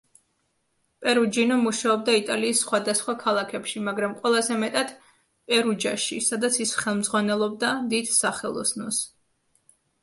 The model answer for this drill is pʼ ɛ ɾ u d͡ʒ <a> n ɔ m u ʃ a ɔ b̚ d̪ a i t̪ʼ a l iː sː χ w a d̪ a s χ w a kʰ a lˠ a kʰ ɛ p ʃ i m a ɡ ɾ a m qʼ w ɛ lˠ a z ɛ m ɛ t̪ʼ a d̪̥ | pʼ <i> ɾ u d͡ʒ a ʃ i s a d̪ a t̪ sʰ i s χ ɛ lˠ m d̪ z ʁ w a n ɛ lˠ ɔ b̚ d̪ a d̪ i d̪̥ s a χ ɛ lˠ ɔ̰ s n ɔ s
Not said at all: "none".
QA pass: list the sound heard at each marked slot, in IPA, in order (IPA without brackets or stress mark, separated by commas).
i, ɛ